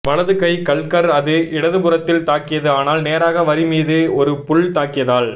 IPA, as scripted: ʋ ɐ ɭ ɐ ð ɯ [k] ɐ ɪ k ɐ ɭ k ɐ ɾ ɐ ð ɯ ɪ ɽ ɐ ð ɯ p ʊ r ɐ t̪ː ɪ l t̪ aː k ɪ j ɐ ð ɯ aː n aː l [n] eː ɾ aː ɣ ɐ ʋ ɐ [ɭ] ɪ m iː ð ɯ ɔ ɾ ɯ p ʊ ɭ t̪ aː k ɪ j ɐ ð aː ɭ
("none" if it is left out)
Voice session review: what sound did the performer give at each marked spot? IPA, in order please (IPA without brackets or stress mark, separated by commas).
k, n, ɾ